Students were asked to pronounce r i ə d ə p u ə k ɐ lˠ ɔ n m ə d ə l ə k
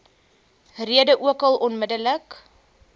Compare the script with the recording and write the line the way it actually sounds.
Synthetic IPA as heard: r i ə d ə ʔ u ə k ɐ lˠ ɔ n m ə d ə l ə k